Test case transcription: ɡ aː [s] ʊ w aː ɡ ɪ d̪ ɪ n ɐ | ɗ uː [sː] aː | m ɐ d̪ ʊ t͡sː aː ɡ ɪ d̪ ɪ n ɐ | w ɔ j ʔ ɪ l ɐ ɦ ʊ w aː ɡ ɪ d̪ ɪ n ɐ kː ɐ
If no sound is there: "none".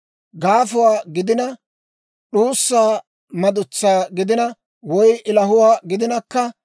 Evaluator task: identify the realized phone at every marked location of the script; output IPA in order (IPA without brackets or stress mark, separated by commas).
f, sː